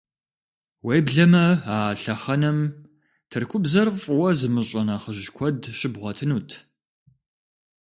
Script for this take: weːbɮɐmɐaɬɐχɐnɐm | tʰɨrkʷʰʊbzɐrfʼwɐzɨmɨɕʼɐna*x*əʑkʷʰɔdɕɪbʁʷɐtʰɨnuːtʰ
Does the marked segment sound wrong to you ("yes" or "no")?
yes